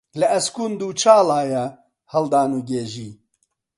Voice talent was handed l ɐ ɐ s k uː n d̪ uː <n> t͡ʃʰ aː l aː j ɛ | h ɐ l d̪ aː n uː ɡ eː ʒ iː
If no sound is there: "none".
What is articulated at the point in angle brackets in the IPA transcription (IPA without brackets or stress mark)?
none